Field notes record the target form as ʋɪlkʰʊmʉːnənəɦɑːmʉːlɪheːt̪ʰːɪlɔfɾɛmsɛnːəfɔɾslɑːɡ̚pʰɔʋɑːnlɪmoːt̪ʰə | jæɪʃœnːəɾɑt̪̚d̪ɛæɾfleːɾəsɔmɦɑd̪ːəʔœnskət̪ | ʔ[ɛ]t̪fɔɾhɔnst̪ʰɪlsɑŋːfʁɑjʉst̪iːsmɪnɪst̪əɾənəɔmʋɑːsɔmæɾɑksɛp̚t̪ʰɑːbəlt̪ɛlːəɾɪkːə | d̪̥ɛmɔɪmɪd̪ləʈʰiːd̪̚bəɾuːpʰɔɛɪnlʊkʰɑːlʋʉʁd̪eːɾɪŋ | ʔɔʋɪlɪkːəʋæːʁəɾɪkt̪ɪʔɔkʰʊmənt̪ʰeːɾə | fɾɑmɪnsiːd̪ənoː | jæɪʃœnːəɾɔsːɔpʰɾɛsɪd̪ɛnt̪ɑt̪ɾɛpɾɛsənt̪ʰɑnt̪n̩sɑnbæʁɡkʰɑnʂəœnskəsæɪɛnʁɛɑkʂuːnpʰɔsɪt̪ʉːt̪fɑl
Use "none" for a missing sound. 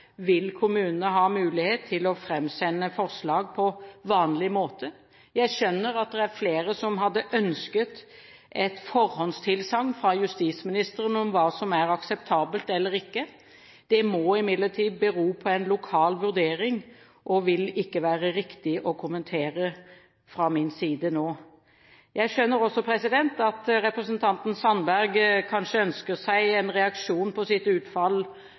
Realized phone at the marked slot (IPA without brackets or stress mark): ɛ